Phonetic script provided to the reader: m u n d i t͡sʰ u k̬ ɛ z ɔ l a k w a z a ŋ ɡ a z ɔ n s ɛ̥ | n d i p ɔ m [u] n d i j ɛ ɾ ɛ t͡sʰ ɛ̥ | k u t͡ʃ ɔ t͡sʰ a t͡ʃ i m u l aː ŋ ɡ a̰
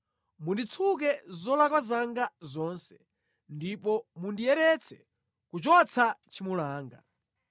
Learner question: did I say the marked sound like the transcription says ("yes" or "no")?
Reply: yes